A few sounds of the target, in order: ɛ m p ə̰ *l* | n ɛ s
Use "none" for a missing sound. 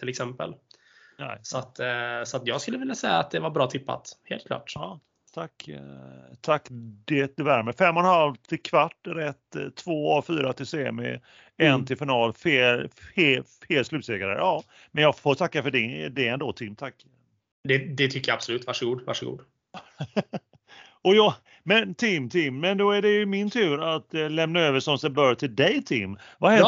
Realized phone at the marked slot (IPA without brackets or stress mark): l